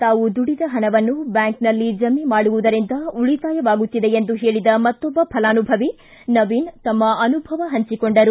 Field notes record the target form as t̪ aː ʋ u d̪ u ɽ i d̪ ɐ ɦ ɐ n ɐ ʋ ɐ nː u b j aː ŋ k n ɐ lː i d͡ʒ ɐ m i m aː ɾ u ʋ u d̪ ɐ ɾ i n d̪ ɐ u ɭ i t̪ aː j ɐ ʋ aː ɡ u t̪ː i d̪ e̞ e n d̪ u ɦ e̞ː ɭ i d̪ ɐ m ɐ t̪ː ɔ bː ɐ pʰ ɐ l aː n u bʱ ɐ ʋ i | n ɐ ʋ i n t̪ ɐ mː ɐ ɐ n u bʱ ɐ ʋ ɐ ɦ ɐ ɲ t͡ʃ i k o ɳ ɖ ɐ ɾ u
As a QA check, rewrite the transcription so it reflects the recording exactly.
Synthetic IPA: t̪ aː ʋ u d̪ u ɽ i d̪ ɐ ɦ ɐ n ɐ ʋ ɐ nː u b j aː ŋ k n ɐ lː i d͡ʒ ɐ m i m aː ɽ u ʋ u d̪ ɐ ɾ i n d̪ ɐ u ɭ i t̪ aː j ɐ ʋ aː ɡ u t̪ː i d̪ e̞ e n d̪ u ɦ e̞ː ɭ i d̪ ɐ m ɐ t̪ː ɔ bː ɐ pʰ ɐ l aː n u bʱ ɐ ʋ i | n ɐ ʋ i n t̪ ɐ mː ɐ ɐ n u bʱ ɐ ʋ ɐ ɦ ɐ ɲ t͡ʃ i k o ɳ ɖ ɐ ɾ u